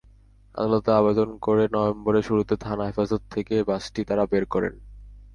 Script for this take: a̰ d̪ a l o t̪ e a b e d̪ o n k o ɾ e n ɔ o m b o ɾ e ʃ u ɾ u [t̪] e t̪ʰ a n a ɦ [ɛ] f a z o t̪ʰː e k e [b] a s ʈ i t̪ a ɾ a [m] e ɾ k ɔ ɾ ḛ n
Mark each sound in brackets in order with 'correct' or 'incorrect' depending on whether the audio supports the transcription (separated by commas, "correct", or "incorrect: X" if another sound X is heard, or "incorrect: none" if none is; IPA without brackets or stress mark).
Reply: correct, incorrect: e, correct, incorrect: b